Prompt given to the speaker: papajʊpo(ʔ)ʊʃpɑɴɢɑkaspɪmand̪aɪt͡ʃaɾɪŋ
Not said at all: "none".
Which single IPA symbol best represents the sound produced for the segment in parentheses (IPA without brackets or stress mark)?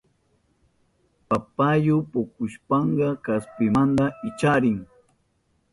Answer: k